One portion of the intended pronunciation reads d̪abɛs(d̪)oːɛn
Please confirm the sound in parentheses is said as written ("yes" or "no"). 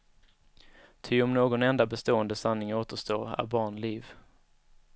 no